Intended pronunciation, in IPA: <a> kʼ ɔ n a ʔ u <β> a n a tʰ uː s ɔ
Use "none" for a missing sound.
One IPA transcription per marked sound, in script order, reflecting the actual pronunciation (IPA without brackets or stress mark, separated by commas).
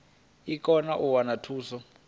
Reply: i, w